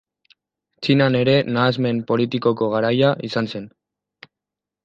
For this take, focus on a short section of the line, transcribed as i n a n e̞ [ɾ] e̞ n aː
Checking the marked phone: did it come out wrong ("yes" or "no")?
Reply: no